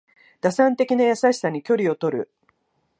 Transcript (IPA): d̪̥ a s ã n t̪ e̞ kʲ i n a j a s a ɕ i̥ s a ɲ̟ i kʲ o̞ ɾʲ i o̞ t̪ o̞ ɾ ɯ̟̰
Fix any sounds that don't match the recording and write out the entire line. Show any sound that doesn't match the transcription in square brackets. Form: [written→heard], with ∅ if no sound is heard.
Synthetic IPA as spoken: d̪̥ a s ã n t̪ e̞ kʲ i n a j a s a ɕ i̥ s a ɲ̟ i kʲ o̞ ɾʲ i o̞ t̪ o̞ ɾ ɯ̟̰